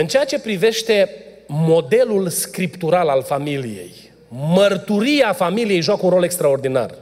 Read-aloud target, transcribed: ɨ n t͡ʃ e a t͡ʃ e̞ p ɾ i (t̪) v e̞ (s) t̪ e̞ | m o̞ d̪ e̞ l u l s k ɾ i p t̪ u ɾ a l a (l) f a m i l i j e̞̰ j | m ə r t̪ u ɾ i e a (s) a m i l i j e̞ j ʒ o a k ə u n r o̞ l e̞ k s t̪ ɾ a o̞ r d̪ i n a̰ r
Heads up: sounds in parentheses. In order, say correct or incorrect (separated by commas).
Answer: incorrect, incorrect, correct, incorrect